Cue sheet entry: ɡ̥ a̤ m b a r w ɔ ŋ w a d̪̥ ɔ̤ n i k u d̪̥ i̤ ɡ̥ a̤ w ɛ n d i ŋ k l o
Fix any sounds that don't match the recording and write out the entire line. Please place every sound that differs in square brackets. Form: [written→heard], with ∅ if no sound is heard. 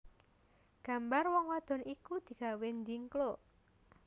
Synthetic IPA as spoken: ɡ̥ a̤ m b a r w ɔ ŋ w a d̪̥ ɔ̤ n i k u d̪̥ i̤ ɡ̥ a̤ w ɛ n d i ŋ k l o